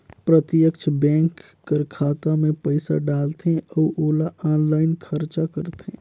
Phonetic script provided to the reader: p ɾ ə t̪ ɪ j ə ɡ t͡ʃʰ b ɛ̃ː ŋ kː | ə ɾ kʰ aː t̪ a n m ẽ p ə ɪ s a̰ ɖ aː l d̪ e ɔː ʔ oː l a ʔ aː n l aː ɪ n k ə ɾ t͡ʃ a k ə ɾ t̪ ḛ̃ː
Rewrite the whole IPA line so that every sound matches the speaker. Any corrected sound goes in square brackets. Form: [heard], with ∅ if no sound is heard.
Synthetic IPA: p ɾ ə t̪ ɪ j ə [k] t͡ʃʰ b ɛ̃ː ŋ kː | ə ɾ kʰ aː t̪ a [∅] m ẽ p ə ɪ s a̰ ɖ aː l [t̪] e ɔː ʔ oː l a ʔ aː n l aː ɪ n [kʰ] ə ɾ t͡ʃ a k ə ɾ t̪ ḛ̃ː